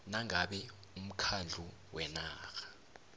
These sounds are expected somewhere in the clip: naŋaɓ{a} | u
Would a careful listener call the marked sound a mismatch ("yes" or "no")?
yes